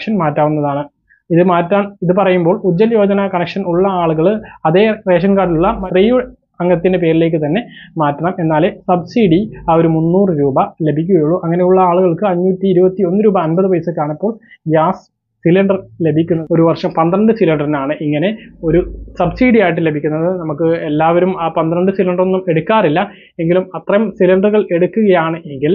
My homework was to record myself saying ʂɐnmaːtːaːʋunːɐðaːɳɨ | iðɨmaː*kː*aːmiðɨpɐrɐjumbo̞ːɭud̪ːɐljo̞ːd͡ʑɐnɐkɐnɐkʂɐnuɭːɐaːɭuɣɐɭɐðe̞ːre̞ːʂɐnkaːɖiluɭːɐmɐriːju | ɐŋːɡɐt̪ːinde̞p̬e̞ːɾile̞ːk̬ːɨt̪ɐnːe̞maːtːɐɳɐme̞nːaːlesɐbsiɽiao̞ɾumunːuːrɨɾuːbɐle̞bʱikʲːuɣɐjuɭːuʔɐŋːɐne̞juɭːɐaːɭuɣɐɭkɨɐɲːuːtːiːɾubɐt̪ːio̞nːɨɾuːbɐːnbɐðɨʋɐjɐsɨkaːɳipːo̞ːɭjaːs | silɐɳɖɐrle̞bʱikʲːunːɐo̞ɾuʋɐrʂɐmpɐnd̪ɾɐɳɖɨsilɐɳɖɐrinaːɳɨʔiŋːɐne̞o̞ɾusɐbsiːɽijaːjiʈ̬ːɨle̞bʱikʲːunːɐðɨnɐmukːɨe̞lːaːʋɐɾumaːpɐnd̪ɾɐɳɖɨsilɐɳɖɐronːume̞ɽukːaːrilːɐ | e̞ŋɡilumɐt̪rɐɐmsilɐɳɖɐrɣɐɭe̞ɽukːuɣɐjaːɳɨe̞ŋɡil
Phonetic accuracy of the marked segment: incorrect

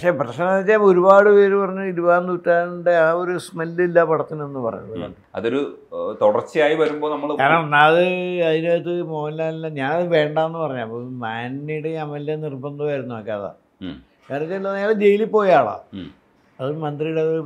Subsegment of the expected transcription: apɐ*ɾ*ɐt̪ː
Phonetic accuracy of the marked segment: incorrect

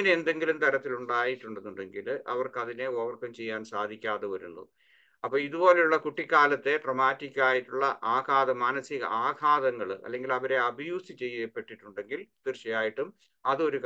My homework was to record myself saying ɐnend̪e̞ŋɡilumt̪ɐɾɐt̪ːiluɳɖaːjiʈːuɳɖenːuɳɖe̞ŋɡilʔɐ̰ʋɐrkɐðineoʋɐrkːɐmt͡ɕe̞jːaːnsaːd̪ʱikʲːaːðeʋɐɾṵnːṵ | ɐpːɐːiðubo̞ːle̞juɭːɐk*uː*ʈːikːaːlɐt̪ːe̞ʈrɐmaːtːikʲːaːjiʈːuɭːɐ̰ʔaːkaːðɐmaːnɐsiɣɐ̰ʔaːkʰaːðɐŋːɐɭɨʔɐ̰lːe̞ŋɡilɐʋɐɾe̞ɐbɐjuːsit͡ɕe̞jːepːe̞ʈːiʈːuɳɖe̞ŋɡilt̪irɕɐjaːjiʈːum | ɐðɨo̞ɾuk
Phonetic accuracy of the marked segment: incorrect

